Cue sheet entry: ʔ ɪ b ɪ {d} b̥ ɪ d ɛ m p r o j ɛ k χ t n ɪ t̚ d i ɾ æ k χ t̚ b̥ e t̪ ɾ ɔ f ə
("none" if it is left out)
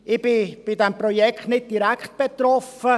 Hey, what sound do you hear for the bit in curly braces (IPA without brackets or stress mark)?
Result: none